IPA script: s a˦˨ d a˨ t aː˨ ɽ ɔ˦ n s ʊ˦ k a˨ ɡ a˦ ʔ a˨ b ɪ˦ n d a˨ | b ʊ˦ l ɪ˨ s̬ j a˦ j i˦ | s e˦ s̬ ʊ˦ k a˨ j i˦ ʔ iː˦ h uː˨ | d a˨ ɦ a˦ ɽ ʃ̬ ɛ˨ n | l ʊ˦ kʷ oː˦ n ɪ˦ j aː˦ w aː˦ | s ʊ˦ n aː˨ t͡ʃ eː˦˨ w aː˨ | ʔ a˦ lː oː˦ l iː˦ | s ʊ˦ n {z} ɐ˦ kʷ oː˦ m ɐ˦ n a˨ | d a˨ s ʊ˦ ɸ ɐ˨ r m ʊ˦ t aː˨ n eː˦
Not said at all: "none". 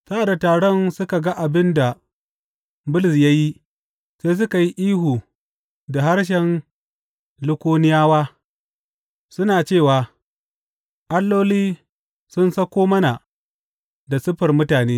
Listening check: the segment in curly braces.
s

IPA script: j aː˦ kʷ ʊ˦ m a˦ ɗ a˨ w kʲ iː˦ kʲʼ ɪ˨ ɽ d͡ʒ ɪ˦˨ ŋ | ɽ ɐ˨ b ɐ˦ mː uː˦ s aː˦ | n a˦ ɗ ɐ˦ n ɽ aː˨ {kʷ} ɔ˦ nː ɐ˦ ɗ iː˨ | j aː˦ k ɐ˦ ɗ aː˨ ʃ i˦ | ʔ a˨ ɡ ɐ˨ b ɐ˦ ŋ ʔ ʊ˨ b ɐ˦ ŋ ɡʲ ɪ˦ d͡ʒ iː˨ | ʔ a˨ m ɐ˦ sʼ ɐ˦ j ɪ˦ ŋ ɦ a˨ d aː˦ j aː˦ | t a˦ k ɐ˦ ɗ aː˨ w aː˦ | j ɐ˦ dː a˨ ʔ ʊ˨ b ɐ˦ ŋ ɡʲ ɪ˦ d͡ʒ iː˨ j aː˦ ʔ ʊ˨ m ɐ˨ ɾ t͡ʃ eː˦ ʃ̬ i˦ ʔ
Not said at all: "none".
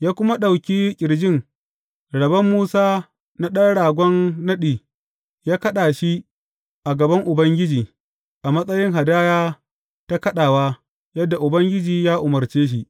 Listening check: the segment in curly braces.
ɡʷ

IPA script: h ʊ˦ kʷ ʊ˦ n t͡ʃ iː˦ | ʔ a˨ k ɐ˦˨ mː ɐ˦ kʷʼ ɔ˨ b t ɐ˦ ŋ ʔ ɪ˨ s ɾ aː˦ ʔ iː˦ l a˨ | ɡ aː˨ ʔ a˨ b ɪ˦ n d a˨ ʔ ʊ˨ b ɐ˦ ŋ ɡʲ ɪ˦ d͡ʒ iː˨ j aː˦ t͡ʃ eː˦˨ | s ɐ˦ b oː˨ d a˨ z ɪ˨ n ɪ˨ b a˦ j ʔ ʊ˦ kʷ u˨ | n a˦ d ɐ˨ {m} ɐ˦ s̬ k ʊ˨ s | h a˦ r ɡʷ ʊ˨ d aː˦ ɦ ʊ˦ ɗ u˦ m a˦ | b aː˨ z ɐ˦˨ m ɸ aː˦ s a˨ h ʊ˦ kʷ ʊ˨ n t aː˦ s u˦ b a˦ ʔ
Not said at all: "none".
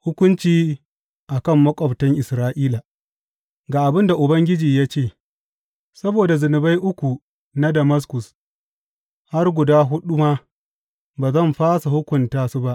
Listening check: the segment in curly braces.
m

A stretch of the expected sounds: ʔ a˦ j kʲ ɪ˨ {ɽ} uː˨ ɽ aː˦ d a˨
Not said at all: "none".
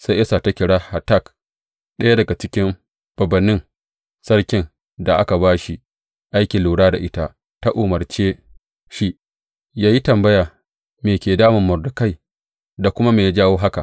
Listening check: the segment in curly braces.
l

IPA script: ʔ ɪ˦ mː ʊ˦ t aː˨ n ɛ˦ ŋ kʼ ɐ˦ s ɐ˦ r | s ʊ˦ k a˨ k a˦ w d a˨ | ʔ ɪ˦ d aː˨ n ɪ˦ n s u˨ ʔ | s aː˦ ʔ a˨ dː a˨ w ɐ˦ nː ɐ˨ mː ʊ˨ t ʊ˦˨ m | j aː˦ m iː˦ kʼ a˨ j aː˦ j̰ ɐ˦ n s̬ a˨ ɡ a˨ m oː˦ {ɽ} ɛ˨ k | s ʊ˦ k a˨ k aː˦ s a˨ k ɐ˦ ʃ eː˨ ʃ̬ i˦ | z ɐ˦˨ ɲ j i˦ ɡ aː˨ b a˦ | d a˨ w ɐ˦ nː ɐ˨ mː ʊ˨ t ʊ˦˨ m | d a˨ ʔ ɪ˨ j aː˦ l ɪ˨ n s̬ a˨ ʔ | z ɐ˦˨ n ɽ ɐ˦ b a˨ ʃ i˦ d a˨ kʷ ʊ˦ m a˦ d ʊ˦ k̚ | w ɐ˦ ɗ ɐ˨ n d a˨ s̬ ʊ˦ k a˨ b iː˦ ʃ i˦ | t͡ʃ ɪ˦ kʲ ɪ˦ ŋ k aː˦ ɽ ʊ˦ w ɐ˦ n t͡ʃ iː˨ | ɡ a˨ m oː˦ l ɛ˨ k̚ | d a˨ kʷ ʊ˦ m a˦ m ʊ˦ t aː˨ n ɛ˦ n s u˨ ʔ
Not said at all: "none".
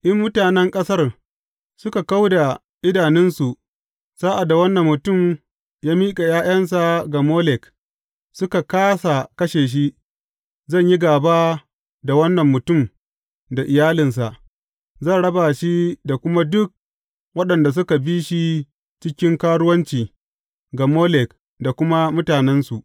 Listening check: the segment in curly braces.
l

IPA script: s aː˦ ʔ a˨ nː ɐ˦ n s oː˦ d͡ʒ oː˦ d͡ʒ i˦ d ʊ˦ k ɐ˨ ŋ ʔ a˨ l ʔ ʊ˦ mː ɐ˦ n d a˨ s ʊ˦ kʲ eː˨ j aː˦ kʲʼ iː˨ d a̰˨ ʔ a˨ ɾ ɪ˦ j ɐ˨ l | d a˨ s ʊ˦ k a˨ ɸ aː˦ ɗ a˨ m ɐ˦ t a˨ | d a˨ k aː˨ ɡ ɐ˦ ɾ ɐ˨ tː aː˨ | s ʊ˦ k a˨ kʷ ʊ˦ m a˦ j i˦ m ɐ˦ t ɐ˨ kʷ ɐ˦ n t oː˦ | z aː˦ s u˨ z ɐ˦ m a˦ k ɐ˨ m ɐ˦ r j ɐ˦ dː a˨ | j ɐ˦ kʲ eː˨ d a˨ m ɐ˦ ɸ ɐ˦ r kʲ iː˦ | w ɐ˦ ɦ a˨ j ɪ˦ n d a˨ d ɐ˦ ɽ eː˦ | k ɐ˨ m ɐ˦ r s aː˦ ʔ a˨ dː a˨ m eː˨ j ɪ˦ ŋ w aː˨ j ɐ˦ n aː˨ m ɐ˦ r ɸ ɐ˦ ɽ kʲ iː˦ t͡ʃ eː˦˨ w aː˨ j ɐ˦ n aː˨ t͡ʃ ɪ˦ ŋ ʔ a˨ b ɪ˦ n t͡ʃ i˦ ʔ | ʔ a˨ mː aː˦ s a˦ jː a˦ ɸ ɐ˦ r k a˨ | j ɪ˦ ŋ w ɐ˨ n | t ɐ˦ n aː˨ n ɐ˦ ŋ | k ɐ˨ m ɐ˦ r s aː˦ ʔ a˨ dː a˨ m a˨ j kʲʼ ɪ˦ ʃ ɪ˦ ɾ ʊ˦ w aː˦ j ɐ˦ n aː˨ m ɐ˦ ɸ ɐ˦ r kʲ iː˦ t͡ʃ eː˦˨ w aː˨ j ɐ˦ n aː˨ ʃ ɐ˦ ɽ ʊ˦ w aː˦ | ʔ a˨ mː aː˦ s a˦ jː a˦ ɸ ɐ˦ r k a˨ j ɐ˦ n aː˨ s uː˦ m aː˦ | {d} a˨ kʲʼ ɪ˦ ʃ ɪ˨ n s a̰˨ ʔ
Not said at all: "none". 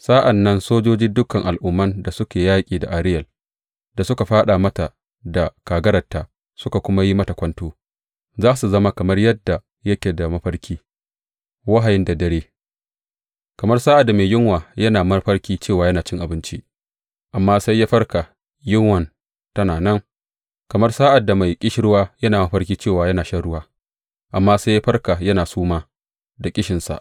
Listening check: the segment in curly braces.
d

